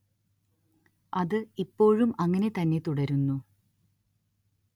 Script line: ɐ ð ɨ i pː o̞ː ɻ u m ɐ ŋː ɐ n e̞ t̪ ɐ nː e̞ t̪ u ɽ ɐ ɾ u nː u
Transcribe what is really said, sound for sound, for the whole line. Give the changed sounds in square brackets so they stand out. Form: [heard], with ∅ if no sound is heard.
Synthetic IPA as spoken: ɐ ð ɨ i pː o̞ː ɻ u m ɐ ŋː ɐ n e̞ t̪ ɐ nː e̞ t̪ u ɽ ɐ ɾ u nː u